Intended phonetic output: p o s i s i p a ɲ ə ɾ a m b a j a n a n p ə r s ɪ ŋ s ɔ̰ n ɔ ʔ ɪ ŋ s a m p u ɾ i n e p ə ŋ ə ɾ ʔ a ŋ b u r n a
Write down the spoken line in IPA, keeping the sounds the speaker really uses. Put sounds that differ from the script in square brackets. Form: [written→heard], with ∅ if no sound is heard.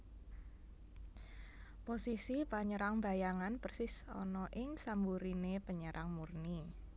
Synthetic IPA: p o s i s i p a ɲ ə ɾ a [m→ŋ] b a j a [n→ŋ] a n p ə r s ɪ [ŋ→∅] s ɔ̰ n ɔ ʔ ɪ ŋ s a m [p→b] u ɾ i n e p ə [ŋ→ɲ] ə ɾ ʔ a ŋ [b→m] u r n [a→i]